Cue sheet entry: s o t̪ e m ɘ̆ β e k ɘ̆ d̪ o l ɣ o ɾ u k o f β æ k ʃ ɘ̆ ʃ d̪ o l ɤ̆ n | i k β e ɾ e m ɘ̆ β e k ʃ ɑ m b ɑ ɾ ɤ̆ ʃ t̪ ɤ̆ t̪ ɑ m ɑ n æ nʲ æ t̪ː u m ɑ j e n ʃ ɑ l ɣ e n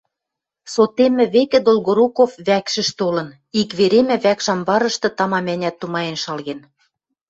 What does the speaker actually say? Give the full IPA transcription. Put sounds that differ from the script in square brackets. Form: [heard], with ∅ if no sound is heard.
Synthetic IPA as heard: s o t̪ e m ɘ̆ β e k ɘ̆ d̪ o l ɣ o ɾ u k o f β æ k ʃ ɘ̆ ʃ [t̪] o l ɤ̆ n | i k β e ɾ e m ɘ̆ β [æ] k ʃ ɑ m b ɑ ɾ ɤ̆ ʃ t̪ ɤ̆ t̪ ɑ m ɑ [m] æ nʲ æ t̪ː u m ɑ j e n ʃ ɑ l ɣ e n